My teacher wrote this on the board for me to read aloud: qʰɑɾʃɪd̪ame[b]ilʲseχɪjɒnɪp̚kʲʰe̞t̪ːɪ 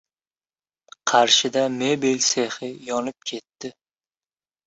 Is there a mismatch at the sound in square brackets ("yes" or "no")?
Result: no